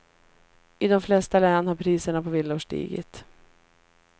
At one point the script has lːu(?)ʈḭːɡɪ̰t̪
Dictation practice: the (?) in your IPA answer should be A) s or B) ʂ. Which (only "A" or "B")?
B